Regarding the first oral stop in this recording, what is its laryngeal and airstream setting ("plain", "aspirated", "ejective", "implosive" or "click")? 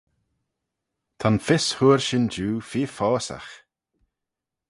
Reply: aspirated